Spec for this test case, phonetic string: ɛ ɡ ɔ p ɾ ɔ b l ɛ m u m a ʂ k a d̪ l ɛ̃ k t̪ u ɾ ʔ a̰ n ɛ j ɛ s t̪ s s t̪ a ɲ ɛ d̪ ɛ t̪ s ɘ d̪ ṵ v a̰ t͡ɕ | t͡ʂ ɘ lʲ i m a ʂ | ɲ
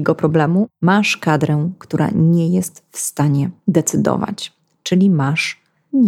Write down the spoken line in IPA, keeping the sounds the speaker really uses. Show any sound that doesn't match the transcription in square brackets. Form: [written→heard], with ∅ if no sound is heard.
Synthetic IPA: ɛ ɡ ɔ p ɾ ɔ b l ɛ m u m a ʂ k a d̪ [l→ɾ] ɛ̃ k t̪ u ɾ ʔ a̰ [n→ɲ] ɛ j ɛ s t̪ [s→f] s t̪ a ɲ ɛ d̪ ɛ t̪ s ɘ d̪ [ṵ→ɔ̰] v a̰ t͡ɕ | t͡ʂ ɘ lʲ i m a ʂ | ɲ